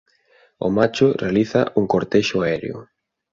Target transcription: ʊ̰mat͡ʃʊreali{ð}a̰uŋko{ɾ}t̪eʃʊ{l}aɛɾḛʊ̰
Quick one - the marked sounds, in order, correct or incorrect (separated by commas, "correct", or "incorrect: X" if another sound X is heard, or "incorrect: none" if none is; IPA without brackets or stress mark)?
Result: incorrect: θ, correct, incorrect: none